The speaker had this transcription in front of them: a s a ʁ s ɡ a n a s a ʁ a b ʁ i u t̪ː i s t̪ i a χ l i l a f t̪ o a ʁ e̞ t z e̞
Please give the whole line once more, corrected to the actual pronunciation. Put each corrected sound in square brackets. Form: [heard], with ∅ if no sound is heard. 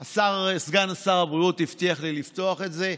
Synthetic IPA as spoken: a s a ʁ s ɡ a n a s a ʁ a b ʁ i u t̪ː i [f] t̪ i a χ l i l [i] f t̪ o a [χ] e̞ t z e̞